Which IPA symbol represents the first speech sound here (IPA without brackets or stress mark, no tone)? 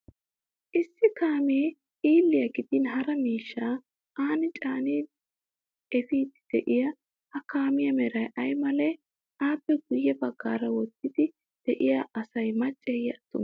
ʔ